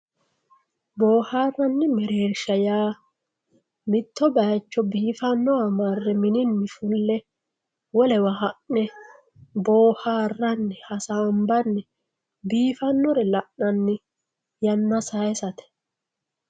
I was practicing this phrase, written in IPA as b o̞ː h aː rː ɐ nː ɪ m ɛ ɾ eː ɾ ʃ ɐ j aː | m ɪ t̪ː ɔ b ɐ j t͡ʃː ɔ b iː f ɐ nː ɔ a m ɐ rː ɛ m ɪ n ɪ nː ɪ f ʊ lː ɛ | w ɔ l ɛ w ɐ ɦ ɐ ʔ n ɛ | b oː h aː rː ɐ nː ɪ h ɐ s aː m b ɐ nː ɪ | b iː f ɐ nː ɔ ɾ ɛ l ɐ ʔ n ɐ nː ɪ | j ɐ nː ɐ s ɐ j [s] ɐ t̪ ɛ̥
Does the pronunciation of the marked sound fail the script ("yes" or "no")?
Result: no